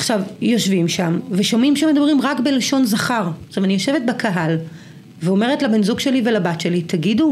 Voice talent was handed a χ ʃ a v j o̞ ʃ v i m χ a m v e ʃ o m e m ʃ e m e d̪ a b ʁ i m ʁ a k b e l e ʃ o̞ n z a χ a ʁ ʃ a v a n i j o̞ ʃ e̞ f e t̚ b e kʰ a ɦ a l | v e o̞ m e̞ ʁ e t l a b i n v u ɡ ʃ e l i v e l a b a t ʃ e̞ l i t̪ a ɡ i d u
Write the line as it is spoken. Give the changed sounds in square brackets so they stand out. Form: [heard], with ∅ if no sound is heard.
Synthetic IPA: a χ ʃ a v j o̞ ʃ v i m [ʃ] a m v e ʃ o m [i] m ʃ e m e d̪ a b ʁ i m ʁ a k b e l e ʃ o̞ n z a χ a ʁ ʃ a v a n i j o̞ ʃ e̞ [v] e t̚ b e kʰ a ɦ a l | v e o̞ m e̞ ʁ e t l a b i n [z] u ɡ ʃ e l i v e l a b a t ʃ e̞ l i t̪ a ɡ i d u